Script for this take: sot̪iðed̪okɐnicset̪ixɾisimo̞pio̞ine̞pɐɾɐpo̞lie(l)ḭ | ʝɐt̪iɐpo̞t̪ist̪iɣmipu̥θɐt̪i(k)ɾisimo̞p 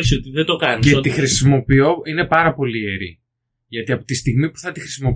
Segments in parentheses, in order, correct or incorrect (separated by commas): incorrect, incorrect